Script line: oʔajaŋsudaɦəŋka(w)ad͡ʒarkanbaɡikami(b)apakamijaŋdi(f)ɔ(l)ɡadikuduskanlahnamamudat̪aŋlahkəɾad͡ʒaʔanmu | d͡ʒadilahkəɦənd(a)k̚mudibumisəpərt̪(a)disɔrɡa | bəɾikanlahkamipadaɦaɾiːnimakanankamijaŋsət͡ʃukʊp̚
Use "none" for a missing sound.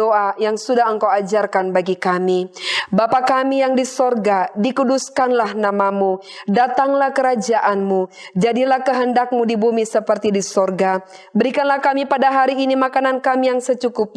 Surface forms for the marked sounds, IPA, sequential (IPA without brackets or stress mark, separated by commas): w, b, s, r, a, i